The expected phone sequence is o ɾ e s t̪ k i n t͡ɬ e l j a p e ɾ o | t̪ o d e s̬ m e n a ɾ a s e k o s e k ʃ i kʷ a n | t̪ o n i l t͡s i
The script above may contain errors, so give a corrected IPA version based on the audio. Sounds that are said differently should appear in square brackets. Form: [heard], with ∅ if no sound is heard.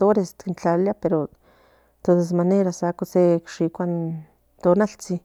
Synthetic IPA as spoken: o ɾ e s t̪ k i n t͡ɬ [a] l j a p e ɾ o | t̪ o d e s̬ m [a] n [e] ɾ a s [a] k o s e k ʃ i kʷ a n | t̪ o n [a] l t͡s i